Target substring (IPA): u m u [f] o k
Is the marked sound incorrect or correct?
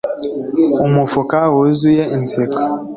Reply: correct